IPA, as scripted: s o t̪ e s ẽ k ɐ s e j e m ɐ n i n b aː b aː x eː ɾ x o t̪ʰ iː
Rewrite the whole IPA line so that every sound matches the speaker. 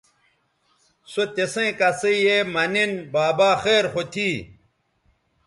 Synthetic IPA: s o t̪ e s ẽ k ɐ s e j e m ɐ n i n b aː b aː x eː ɾ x o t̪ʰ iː